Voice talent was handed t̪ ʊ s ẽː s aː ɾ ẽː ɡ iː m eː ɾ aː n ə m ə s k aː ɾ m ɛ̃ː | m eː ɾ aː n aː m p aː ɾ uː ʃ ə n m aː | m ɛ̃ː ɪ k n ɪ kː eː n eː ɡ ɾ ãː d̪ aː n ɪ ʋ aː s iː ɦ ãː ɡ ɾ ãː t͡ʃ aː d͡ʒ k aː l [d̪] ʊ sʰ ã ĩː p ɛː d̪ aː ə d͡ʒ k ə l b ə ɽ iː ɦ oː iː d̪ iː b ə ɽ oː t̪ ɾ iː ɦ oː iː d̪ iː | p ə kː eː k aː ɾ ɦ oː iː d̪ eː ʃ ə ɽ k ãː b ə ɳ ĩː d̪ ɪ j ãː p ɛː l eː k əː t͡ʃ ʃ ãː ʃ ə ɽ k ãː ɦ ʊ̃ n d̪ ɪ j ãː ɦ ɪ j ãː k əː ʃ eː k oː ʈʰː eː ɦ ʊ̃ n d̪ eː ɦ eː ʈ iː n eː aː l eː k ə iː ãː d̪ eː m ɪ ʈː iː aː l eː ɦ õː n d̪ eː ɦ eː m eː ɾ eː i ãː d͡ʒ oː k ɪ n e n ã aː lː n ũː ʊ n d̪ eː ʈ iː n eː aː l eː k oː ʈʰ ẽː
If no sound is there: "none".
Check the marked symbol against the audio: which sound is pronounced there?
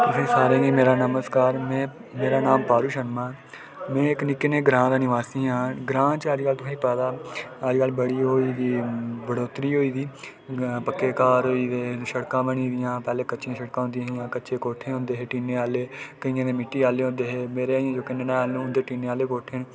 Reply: t̪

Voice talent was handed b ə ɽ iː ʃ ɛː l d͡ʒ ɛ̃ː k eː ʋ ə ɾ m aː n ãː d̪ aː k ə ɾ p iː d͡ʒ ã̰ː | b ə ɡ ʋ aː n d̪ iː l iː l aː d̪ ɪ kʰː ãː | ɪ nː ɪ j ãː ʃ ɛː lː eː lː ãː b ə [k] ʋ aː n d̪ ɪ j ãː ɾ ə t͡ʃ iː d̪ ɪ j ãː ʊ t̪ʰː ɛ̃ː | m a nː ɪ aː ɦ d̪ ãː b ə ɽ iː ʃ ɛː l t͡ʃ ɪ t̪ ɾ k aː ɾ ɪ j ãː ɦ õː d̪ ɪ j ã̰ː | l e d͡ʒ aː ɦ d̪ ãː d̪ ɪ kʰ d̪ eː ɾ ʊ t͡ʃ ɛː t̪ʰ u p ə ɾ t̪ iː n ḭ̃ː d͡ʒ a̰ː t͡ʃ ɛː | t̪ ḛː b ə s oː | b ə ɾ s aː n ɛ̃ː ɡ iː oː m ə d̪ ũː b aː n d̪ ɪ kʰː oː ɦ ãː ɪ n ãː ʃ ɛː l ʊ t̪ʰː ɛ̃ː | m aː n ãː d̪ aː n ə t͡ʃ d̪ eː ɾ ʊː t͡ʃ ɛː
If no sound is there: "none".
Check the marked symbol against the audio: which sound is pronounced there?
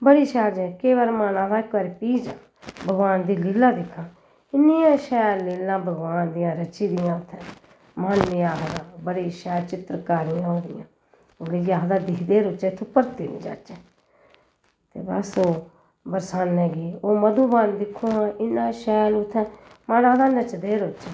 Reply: ɡ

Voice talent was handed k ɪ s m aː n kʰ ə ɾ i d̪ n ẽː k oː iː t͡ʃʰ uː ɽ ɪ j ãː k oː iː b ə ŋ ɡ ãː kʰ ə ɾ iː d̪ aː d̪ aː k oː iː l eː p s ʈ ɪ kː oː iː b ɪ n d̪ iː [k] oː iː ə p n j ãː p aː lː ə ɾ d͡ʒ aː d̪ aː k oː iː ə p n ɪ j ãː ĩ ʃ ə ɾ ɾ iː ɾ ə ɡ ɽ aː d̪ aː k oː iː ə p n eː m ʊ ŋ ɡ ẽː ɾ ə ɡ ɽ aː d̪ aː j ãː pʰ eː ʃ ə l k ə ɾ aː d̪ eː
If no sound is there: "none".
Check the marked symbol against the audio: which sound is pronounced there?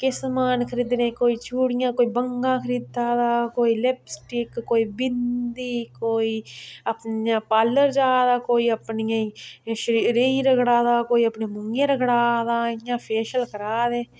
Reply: k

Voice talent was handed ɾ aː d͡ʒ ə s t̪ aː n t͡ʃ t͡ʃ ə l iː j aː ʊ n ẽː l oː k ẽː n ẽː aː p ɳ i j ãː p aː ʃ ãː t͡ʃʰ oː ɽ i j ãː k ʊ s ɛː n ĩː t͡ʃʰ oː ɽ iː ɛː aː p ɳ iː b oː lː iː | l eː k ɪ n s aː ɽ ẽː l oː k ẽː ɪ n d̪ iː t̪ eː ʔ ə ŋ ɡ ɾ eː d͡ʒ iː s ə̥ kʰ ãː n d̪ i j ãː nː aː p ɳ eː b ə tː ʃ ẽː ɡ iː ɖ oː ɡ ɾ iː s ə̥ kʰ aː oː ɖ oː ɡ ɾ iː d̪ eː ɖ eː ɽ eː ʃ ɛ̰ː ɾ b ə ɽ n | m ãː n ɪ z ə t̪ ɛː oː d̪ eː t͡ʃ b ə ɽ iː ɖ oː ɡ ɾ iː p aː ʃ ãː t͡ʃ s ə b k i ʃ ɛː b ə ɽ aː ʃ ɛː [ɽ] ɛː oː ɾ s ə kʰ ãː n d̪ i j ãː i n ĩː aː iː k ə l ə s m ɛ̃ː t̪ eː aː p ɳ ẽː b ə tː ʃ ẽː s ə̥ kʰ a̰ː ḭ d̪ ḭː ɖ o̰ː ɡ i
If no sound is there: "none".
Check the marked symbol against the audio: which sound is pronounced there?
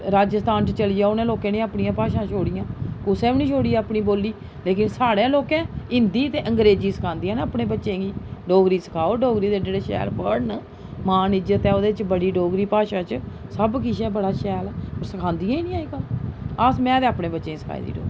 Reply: l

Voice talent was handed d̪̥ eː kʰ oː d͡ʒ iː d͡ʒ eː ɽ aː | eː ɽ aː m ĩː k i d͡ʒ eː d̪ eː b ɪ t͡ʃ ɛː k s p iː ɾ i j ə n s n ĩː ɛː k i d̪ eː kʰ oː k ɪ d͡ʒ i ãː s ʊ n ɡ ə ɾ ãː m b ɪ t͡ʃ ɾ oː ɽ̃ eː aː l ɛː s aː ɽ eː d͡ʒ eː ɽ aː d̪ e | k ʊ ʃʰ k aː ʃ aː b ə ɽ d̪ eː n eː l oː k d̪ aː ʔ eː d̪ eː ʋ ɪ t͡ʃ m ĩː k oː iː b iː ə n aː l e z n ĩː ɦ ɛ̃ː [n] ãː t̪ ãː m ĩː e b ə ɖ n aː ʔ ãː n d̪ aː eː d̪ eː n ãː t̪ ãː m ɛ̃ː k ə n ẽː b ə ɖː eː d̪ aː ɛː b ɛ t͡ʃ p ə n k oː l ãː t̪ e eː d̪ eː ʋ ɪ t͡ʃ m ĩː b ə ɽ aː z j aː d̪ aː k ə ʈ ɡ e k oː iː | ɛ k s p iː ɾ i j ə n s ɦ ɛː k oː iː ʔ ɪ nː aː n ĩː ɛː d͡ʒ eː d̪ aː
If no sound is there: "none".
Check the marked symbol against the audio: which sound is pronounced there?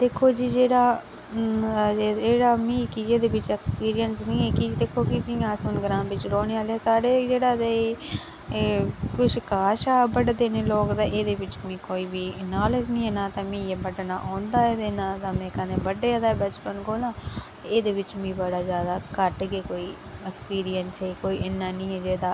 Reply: n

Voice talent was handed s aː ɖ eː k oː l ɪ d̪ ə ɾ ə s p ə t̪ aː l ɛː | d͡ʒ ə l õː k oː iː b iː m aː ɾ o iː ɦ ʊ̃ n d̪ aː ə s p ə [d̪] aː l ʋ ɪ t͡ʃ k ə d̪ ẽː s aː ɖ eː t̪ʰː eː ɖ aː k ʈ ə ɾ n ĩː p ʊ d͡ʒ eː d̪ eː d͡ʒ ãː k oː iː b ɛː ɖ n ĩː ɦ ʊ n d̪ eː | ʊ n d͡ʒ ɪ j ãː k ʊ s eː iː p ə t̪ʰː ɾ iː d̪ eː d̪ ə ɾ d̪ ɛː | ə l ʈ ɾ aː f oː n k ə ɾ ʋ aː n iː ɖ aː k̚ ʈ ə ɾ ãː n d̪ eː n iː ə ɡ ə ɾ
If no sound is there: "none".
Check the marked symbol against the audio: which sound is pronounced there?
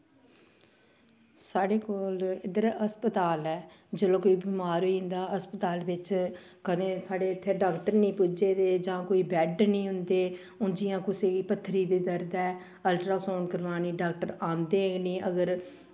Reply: t̪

